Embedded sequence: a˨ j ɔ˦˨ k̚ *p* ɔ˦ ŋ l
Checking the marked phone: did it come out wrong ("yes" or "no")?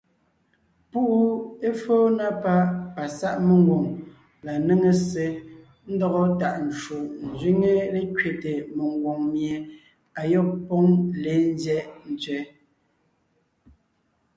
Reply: no